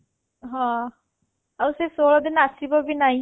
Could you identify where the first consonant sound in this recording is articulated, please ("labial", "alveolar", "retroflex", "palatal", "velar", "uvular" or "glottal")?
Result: glottal